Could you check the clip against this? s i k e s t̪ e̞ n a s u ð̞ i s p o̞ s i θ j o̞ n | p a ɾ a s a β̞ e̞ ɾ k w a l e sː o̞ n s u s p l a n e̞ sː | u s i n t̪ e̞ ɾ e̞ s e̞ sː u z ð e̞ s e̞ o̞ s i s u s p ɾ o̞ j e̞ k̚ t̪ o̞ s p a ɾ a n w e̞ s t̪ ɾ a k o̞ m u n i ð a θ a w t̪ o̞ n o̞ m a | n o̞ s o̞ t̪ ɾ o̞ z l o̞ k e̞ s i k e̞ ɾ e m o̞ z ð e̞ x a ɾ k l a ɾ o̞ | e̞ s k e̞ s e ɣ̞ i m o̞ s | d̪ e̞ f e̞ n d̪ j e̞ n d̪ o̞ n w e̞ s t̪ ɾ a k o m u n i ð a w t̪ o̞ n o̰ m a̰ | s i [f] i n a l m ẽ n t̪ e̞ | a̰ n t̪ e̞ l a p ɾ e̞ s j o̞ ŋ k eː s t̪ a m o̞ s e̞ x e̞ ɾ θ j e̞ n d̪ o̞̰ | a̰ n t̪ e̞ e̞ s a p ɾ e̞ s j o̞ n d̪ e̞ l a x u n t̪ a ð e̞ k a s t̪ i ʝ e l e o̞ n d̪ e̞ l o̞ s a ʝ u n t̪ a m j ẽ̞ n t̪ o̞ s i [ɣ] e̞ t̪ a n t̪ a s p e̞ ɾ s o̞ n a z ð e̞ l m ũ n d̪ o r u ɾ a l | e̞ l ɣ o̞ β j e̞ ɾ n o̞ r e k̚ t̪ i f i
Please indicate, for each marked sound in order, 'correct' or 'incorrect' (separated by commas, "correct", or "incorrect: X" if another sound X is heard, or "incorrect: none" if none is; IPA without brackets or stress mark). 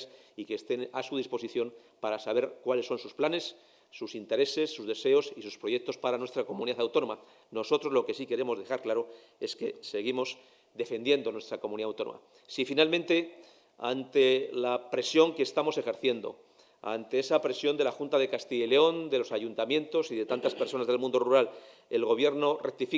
correct, incorrect: ð